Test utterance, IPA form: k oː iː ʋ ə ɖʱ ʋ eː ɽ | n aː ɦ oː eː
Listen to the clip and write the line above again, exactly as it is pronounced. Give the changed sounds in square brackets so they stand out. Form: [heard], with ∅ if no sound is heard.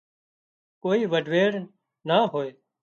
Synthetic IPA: k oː iː ʋ ə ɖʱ ʋ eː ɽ | n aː ɦ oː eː